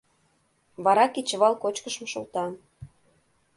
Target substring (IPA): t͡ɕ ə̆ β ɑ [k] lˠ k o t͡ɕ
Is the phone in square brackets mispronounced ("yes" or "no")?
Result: yes